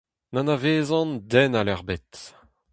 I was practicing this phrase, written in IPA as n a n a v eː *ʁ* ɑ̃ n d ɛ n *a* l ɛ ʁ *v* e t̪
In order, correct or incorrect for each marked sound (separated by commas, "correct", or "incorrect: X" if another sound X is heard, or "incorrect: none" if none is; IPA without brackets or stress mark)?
incorrect: z, correct, incorrect: b